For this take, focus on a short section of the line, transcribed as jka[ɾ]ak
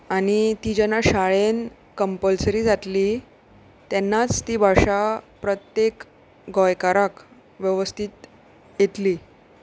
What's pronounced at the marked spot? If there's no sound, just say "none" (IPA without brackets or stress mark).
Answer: ɾ